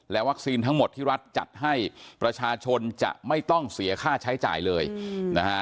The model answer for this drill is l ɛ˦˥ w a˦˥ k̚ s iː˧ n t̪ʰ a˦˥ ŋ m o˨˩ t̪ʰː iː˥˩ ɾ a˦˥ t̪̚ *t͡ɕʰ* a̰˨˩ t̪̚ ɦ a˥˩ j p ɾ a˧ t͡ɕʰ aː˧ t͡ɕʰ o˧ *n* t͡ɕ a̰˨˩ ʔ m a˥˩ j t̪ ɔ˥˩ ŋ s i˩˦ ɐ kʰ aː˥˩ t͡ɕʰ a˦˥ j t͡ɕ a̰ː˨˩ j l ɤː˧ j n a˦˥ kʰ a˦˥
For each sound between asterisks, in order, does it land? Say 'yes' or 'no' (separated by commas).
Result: no, yes